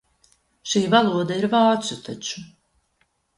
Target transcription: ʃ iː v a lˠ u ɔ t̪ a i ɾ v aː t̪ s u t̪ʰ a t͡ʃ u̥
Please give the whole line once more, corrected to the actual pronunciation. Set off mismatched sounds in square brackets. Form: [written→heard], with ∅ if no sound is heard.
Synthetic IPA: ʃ iː v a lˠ u ɔ [t̪→d̪] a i ɾ v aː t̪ s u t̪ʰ a t͡ʃ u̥

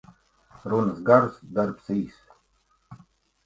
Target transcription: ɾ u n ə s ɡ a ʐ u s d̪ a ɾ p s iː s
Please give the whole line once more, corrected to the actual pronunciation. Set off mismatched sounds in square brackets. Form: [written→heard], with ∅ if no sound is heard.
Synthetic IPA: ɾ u n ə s ɡ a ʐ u s d̪ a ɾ p s iː s

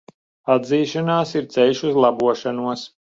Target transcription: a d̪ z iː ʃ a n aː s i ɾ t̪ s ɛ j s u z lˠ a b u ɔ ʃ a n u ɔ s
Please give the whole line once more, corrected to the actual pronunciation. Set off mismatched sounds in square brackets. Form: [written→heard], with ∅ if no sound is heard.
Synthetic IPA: a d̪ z iː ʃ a n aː s i ɾ t̪ s ɛ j [s→ʃ] u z lˠ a b u ɔ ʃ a n u ɔ s

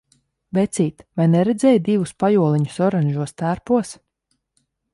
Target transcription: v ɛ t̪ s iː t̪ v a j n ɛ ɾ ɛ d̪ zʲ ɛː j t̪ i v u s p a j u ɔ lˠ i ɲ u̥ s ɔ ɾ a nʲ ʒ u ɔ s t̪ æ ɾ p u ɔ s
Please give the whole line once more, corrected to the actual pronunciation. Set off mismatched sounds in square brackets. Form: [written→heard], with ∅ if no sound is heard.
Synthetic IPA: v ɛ t̪ s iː t̪ v a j n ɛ ɾ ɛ d̪ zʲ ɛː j [t̪→d̪] i v u s p a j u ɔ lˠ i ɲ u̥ s ɔ ɾ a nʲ ʒ u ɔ s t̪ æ ɾ p u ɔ s

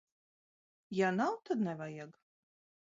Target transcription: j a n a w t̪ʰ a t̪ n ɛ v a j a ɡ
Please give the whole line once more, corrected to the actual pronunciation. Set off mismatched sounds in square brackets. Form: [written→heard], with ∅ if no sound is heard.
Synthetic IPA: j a n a w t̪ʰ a [t̪→d̪] n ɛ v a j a ɡ

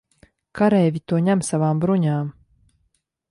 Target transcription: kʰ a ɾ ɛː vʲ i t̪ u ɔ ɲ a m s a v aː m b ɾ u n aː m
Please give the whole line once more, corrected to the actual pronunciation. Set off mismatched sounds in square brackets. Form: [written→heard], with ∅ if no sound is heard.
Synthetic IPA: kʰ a ɾ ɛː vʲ i t̪ u ɔ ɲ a m s a v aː m b ɾ u [n→ɲ] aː m

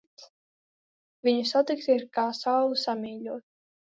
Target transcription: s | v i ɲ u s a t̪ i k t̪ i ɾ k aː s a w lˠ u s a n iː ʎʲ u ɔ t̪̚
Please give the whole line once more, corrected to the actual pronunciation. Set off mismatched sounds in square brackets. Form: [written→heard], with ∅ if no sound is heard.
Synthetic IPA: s | v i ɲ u s a t̪ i k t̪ i ɾ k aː s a w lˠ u s a [n→m] iː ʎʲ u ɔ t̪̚

